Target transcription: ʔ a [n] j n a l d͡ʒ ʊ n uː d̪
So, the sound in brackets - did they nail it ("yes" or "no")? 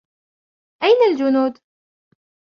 no